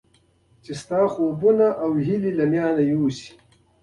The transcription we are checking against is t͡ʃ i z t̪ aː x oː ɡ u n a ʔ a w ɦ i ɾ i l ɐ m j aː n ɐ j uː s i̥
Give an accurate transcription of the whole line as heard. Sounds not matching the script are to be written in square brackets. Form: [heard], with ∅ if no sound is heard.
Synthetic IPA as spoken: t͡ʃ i [s] t̪ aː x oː [b] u n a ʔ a w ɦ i [l] i l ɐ m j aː n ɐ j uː s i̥

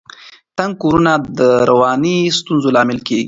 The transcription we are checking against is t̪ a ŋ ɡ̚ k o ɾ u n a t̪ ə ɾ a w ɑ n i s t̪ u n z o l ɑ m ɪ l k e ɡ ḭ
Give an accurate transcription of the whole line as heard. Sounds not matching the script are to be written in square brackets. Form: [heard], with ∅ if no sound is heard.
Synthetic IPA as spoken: t̪ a ŋ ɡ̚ k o ɾ u n a [d̪] ə ɾ a w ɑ n i s t̪ u n z o l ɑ m ɪ l k e ɡ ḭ

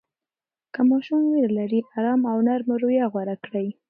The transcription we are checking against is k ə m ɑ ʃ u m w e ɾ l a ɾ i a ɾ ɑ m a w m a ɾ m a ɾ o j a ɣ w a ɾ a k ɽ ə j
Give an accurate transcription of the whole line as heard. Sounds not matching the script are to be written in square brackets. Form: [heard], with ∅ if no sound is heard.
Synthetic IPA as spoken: k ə m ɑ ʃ u m w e ɾ l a ɾ i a ɾ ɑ m a w [n] a ɾ m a ɾ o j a ɣ w a ɾ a k ɽ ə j

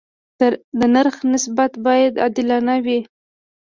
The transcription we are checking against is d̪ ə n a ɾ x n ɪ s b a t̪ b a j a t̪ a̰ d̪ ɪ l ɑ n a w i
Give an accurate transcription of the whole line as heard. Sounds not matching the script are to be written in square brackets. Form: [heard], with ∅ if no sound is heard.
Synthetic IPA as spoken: d̪ ə n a ɾ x n ɪ s b a t̪ b [ɑ] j a [d̪] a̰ d̪ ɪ l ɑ n a w i

